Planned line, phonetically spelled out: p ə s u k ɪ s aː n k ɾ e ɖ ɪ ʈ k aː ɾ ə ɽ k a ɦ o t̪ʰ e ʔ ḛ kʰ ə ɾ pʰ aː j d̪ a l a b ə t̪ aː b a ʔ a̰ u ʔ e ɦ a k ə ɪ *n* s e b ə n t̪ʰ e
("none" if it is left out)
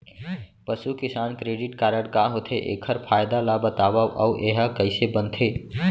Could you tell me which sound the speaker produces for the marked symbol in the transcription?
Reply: none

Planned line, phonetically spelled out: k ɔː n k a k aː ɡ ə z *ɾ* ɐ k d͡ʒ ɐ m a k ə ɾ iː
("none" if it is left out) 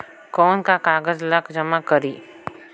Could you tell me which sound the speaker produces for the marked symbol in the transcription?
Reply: l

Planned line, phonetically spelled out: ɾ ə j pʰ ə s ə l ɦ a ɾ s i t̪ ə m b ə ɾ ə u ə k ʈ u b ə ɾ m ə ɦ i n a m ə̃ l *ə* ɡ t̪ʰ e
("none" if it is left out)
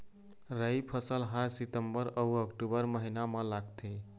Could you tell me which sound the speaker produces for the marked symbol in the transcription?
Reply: a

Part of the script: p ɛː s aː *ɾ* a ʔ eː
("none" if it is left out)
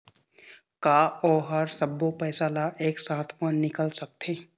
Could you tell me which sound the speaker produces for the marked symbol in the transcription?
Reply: l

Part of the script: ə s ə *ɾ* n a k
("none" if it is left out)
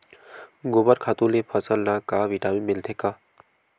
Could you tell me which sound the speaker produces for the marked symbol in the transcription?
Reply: l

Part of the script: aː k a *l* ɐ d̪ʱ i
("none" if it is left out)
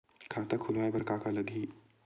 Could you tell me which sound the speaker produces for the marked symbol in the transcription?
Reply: l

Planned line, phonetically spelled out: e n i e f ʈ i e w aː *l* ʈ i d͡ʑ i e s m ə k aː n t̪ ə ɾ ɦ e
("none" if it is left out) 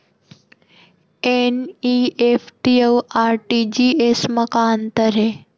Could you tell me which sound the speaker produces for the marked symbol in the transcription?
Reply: ɾ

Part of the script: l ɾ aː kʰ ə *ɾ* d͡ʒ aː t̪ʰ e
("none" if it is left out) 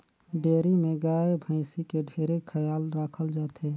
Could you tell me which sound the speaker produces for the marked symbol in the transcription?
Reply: l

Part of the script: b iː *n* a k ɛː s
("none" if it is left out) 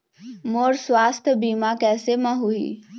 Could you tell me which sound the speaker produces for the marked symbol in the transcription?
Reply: m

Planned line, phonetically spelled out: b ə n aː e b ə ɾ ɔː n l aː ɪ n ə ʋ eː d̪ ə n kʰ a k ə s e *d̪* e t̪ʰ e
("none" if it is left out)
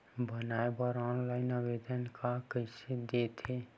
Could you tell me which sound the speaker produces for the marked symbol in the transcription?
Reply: d̪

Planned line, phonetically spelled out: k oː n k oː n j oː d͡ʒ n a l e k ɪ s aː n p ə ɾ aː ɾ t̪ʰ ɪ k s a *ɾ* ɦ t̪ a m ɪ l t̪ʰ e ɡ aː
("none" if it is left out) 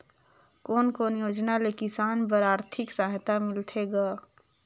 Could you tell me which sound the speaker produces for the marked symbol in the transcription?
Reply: none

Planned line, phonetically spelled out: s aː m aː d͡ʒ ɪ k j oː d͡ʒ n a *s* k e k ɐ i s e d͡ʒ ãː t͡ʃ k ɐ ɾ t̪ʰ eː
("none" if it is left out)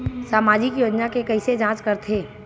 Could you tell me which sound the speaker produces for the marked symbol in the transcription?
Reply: none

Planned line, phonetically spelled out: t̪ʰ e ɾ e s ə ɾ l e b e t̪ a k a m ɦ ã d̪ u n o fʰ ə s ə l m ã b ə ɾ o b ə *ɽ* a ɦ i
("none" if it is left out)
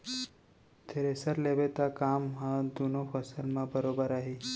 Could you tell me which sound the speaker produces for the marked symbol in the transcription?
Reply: ɾ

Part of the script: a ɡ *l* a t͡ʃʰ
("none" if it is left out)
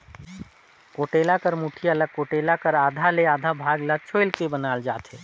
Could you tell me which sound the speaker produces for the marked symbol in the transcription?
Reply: l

